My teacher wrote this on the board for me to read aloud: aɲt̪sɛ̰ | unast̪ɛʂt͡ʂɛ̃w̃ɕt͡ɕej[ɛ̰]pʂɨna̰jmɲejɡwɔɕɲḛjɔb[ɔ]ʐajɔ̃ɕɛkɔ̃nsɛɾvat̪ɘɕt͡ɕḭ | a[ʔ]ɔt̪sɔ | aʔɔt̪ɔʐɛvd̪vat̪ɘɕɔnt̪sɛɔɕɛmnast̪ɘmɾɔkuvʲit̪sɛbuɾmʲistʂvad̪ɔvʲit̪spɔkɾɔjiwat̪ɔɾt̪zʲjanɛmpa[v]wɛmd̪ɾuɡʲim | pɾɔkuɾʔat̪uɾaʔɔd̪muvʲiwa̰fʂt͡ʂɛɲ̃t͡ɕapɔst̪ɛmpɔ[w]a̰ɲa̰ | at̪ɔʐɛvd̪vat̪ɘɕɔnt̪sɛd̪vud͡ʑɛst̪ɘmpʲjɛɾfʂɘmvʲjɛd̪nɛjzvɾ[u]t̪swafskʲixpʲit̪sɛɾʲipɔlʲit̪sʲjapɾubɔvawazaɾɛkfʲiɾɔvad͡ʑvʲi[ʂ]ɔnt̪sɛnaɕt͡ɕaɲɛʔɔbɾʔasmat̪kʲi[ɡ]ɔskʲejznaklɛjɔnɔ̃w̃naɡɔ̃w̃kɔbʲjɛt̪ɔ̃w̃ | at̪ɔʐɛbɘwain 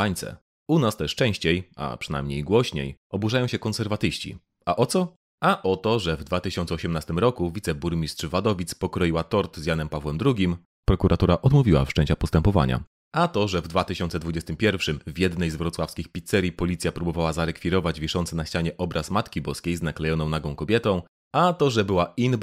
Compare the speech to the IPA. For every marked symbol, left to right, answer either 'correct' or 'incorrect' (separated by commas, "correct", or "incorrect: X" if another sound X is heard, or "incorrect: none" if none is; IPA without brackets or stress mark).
incorrect: a̰, incorrect: u, correct, correct, incorrect: v, incorrect: ɔ, correct, incorrect: b